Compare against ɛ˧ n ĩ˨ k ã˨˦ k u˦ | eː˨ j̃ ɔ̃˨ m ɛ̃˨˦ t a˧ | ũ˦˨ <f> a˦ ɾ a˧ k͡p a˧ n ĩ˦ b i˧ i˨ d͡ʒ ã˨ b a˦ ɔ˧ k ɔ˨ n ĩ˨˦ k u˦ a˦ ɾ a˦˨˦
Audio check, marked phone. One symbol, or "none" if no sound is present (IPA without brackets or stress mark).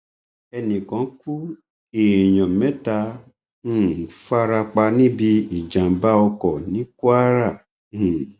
f